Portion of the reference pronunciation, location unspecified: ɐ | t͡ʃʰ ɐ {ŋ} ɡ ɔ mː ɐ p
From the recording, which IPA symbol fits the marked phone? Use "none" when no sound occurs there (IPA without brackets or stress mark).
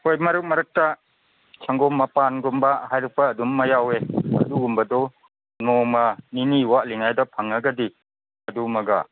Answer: ŋ